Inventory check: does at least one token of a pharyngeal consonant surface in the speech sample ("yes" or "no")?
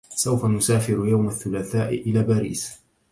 no